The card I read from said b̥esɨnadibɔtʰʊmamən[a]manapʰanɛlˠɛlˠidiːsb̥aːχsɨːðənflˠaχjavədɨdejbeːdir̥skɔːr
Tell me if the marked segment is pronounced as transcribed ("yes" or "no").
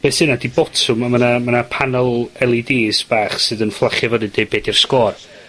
yes